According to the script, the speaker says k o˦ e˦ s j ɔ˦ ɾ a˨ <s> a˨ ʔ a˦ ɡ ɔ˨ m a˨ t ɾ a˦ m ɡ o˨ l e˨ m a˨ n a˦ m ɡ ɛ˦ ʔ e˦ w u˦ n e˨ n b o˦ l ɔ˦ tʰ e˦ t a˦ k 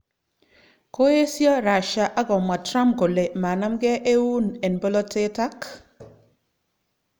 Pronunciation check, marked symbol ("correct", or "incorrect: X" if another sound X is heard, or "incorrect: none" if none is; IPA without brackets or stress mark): incorrect: ʃ